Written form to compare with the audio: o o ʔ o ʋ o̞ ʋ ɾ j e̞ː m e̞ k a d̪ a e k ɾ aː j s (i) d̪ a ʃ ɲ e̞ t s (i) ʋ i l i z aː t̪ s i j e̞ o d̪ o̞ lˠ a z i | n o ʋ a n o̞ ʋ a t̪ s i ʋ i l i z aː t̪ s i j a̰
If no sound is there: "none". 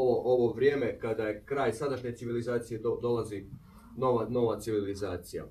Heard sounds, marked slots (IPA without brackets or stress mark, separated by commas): a, i